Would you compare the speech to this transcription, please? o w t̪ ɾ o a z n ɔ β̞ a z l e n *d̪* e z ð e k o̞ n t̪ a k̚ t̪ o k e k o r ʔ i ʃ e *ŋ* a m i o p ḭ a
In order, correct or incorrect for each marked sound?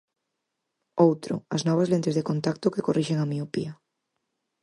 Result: incorrect: t̪, correct

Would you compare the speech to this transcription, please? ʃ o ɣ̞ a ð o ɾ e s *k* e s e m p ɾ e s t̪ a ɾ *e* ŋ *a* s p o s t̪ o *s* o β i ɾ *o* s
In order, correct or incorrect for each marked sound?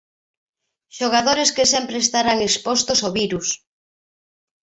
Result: correct, incorrect: a, incorrect: e, correct, incorrect: u

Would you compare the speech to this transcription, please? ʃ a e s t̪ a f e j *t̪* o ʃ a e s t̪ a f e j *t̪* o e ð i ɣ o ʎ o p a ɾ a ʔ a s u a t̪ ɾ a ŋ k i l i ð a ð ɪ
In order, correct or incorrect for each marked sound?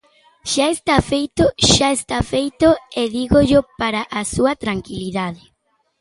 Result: correct, correct

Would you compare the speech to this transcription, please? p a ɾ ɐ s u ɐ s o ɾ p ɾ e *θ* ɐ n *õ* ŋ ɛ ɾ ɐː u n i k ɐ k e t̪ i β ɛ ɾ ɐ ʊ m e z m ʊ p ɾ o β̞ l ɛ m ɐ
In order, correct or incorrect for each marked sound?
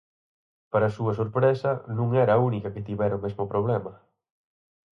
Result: incorrect: s, incorrect: ũ

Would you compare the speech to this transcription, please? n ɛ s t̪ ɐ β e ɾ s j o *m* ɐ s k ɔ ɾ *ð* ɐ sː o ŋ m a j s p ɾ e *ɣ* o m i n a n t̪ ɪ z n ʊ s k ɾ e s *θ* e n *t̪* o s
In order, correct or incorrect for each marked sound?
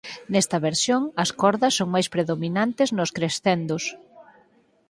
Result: incorrect: ŋ, correct, incorrect: ð, correct, incorrect: d̪

